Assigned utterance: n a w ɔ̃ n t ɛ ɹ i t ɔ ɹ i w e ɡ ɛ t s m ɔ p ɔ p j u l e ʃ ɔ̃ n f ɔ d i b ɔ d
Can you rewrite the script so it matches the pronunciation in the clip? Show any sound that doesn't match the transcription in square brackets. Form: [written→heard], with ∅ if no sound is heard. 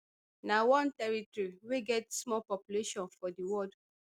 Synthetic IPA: n a w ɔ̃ n t ɛ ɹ i t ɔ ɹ i w e ɡ ɛ t s m ɔ p ɔ p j u l e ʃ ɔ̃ n f ɔ d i [b→w] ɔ d